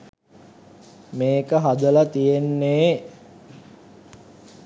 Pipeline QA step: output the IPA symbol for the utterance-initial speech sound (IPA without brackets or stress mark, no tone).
m